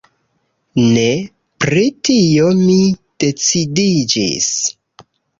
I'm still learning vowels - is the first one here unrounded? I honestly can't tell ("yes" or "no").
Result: yes